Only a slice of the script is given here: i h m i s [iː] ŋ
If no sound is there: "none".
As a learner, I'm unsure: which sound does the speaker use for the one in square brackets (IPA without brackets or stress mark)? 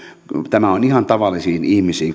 iː